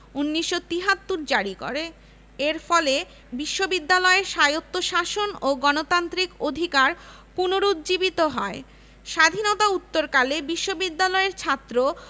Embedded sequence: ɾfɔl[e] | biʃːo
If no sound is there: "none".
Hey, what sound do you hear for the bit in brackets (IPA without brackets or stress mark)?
e